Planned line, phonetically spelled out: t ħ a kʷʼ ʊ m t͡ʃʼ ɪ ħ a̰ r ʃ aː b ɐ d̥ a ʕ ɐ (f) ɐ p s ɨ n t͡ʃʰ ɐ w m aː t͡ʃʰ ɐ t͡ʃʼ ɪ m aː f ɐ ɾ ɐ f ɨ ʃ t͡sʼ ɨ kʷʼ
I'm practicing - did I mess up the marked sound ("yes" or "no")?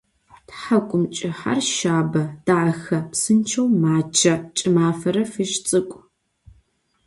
yes